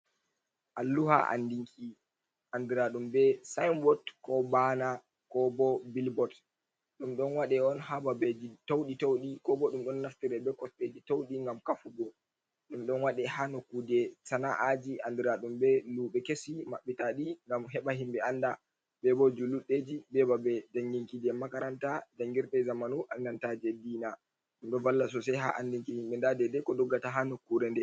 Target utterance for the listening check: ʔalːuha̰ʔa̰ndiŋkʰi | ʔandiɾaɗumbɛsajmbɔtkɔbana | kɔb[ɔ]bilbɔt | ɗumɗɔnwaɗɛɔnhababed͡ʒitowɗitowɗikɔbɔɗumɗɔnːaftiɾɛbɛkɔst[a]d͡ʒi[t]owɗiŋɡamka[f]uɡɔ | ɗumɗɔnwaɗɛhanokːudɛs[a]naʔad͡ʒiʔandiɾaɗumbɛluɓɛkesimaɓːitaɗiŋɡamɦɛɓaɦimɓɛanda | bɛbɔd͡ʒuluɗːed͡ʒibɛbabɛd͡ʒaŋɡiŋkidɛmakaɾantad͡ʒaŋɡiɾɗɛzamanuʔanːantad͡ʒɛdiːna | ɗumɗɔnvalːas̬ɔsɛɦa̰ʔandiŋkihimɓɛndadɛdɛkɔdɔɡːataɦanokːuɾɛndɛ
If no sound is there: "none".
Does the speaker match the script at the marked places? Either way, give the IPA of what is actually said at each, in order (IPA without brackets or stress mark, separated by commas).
ɔ, e, t, f, a